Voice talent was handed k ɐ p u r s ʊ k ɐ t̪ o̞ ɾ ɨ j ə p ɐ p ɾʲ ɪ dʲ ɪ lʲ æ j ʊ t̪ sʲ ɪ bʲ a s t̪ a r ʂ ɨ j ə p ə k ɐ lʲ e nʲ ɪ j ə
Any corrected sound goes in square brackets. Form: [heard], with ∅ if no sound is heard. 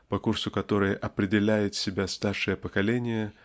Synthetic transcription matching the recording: [p] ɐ [k] u r s ʊ k ɐ t̪ o̞ ɾ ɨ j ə [ʔ] ɐ p ɾʲ ɪ dʲ ɪ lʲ æ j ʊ t̪ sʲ ɪ bʲ a s t̪ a r ʂ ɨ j ə p ə k ɐ lʲ e nʲ ɪ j ə